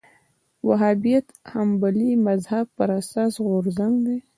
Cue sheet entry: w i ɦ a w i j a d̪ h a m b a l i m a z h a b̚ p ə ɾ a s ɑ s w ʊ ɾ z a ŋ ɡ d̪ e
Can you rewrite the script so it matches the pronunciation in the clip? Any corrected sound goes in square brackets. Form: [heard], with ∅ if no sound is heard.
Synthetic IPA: w [a] ɦ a [b] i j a [t̪] h a m b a l i m a z h a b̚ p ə ɾ a s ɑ s [ɣ] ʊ ɾ z a ŋ ɡ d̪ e